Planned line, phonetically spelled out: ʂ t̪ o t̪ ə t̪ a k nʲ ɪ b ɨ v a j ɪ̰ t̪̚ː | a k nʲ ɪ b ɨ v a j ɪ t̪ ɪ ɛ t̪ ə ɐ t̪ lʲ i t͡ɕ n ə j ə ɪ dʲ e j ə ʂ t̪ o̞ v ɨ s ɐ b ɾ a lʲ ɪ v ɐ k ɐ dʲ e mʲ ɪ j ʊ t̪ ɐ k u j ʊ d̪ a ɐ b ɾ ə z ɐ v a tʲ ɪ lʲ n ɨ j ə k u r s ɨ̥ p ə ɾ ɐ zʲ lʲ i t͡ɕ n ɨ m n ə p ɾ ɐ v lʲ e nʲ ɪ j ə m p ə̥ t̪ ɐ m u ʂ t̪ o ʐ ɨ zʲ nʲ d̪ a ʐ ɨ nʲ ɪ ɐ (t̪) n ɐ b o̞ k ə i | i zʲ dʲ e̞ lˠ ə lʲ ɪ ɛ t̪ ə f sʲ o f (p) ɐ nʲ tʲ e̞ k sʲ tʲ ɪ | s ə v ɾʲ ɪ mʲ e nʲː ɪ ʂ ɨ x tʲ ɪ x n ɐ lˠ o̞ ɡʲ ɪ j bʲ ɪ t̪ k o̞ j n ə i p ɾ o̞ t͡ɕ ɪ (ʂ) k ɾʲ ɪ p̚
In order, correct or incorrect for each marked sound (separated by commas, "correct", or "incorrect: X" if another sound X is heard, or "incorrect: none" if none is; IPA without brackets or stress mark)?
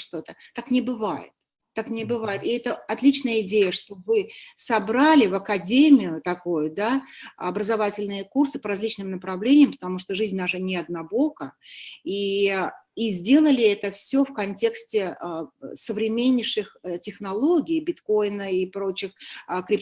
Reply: incorrect: d̪, incorrect: k, incorrect: x